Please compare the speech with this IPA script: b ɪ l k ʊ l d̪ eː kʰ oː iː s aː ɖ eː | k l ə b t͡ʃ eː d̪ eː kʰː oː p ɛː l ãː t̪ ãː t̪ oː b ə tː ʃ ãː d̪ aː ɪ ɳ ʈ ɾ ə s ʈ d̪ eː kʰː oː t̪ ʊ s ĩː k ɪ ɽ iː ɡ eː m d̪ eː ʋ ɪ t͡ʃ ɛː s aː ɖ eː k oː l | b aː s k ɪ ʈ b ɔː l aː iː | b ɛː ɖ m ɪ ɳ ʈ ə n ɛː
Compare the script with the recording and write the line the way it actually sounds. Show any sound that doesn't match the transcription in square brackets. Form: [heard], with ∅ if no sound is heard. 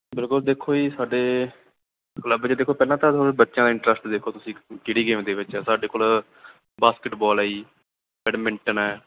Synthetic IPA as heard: b ɪ l k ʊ l d̪ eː kʰ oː iː s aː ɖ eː | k l ə b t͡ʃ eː d̪ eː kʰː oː p ɛː l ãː t̪ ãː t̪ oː b ə tː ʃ ãː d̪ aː ɪ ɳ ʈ ɾ ə s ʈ d̪ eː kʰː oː t̪ ʊ s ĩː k ɪ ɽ iː ɡ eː m d̪ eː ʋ ɪ t͡ʃ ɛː s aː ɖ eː k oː l | b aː s k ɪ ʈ b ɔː l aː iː | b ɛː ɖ m ɪ ɳ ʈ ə n ɛː